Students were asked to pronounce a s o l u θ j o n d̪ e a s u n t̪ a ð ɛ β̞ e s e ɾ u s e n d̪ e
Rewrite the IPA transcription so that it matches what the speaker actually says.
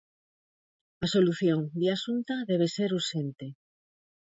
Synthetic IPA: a s o l u θ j o ŋ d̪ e a s u n t̪ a ð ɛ β̞ e s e ɾ u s e n t̪ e